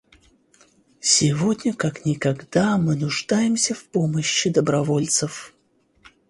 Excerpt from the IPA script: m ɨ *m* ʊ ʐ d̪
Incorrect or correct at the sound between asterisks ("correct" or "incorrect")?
incorrect